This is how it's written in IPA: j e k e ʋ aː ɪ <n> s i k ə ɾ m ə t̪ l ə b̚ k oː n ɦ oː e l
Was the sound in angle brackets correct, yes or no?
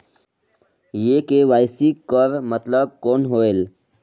no